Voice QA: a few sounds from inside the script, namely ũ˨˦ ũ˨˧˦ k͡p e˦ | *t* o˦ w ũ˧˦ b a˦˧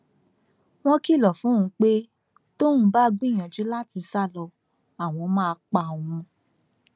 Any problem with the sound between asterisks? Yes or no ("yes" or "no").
no